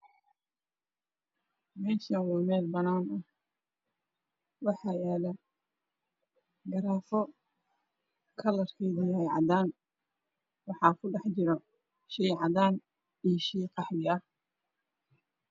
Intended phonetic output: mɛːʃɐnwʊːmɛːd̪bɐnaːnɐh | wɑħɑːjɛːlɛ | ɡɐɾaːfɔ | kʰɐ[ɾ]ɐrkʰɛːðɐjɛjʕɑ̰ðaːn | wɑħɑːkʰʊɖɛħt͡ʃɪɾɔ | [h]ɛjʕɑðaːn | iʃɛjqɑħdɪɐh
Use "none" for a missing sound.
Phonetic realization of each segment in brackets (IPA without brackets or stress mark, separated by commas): l, ʃ